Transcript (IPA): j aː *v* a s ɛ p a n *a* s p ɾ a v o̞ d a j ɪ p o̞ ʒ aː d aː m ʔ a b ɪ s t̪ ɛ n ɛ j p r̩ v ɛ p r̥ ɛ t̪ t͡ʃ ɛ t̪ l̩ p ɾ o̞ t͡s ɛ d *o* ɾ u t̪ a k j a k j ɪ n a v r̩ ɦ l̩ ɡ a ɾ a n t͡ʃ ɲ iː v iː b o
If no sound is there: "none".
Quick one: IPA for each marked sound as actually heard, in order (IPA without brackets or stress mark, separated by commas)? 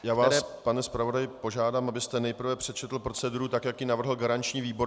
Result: v, ɛ, u